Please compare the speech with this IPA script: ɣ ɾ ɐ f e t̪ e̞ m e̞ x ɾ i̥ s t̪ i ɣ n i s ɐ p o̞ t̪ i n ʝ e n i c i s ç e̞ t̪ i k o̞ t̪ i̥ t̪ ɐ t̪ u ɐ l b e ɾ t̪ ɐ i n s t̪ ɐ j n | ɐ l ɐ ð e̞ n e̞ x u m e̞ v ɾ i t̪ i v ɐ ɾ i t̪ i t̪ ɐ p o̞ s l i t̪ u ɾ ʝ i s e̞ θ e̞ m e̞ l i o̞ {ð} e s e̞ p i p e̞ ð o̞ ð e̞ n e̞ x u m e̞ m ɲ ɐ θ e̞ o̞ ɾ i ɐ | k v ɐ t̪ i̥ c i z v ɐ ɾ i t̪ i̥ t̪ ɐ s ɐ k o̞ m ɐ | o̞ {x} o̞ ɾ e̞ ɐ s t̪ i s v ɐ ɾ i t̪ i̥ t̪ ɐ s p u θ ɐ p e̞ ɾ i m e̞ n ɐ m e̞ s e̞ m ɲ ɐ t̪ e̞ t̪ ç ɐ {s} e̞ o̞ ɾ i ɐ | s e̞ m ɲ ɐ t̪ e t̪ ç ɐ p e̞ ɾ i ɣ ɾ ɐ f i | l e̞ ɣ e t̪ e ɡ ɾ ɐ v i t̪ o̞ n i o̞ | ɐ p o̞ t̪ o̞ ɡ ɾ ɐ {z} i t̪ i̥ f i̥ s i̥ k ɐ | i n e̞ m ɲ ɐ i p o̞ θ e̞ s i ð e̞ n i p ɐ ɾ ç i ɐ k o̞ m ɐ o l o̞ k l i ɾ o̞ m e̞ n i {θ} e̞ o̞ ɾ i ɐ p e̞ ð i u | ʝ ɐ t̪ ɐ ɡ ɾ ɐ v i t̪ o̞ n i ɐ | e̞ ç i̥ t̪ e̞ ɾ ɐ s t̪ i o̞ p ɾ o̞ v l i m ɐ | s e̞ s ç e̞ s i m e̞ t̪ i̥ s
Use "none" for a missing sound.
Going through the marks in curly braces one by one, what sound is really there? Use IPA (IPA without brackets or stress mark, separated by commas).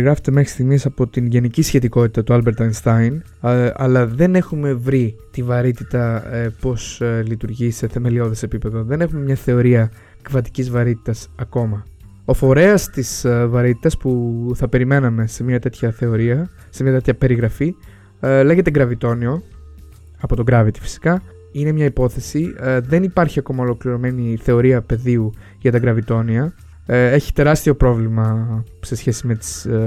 ð, f, θ, v, θ